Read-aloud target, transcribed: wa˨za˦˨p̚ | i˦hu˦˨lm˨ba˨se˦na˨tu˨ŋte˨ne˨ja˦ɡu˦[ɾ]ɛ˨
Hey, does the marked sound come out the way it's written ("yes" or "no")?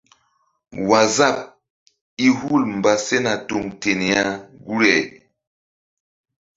yes